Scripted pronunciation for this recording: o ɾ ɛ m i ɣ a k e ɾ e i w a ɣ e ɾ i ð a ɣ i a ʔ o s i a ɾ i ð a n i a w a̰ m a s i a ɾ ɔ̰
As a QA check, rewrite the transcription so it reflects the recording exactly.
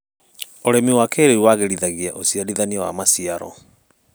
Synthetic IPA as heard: o ɾ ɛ m i w a k e ɾ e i w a ɣ e ɾ i ð a ɣ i a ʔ o s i a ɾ i ð a n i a w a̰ m a s i a ɾ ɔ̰